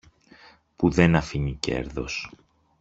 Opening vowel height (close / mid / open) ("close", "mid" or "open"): close